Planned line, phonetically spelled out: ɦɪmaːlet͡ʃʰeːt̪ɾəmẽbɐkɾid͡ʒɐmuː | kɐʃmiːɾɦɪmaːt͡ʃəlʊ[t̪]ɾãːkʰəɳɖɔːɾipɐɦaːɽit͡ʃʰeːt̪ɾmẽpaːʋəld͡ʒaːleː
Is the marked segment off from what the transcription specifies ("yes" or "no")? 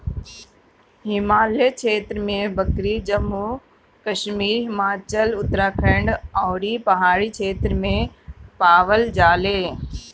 no